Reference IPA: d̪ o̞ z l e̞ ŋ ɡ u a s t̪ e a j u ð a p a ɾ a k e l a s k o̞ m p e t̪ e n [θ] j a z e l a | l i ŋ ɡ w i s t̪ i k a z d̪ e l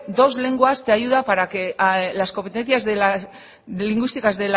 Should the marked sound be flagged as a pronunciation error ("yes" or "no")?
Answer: no